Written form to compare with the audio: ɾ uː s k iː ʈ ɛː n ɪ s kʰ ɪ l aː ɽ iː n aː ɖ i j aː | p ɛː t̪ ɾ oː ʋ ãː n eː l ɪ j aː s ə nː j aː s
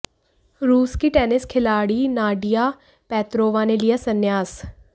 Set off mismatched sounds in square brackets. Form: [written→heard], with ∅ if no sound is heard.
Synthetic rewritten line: ɾ uː s k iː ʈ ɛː n ɪ s kʰ ɪ l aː ɽ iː n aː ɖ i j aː | p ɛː t̪ ɾ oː ʋ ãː n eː l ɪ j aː s ə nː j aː s